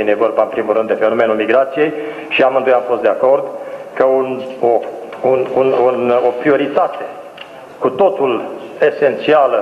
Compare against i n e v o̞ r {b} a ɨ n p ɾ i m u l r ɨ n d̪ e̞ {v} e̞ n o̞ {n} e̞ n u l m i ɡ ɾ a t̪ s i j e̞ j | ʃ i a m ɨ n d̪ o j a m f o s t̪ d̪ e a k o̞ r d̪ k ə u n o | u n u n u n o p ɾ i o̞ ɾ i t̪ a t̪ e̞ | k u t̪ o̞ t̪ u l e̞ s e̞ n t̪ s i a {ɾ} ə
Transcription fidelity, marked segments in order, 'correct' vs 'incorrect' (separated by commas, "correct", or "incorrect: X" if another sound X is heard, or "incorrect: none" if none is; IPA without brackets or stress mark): correct, incorrect: f, incorrect: m, incorrect: l